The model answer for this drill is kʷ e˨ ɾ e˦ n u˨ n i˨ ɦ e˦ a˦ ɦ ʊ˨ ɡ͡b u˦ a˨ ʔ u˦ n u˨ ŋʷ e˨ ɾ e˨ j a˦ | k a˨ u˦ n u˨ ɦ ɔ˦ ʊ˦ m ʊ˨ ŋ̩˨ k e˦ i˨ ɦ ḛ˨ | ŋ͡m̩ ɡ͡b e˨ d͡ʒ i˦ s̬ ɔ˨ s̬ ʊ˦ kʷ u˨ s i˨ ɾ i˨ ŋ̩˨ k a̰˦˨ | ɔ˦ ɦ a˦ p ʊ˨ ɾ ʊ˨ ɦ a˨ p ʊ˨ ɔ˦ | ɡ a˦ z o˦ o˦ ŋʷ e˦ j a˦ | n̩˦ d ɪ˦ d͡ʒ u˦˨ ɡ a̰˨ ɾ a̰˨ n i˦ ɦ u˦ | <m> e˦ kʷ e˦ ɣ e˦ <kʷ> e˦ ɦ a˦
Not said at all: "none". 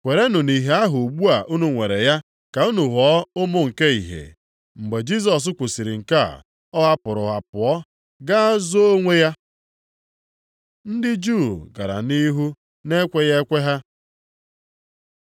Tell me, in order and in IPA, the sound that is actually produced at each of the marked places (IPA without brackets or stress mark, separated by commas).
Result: n, kʷ